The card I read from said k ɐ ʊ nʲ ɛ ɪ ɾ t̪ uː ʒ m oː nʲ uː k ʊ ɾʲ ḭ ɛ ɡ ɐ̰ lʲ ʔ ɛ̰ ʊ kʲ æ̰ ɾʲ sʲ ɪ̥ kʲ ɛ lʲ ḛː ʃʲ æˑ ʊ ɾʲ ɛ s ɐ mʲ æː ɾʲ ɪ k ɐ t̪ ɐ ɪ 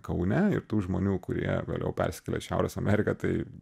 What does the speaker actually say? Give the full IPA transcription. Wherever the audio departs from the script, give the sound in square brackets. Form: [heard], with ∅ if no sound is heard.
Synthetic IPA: k ɐ ʊ nʲ ɛ ɪ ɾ t̪ uː ʒ m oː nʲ uː k ʊ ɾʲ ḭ ɛ ɡ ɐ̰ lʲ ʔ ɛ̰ ʊ [pʲ] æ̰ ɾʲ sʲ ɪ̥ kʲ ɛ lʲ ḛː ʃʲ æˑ ʊ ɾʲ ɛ s ɐ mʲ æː ɾʲ ɪ k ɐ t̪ ɐ ɪ